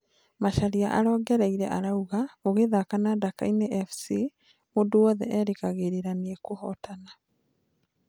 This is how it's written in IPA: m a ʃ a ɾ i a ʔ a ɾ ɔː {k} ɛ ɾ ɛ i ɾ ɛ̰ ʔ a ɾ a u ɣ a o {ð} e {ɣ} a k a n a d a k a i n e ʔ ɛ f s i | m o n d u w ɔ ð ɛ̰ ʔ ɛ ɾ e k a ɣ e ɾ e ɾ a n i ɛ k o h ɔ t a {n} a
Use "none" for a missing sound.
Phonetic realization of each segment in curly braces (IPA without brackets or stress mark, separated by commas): ɡ, ɣ, ð, n